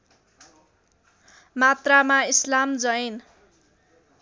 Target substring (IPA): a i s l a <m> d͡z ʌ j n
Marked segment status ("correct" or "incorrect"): correct